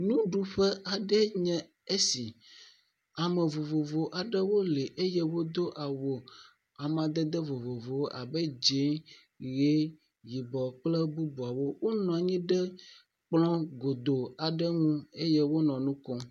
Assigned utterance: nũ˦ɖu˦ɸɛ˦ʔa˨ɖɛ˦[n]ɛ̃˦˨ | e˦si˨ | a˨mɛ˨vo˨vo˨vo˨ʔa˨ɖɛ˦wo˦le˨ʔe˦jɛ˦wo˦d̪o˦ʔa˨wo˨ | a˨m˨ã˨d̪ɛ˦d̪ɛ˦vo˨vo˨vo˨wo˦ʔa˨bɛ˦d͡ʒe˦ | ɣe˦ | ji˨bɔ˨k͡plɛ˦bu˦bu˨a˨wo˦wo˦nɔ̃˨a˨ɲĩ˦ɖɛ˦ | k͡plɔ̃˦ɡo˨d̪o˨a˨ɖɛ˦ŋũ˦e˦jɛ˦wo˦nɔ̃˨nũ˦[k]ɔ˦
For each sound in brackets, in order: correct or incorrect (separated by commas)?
incorrect, correct